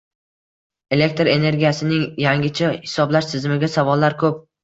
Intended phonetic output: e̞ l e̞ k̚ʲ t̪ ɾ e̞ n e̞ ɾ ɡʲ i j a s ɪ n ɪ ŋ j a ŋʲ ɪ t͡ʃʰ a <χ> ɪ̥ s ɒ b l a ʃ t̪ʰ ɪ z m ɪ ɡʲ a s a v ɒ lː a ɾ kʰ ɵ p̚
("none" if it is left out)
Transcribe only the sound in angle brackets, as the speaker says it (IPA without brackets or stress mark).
h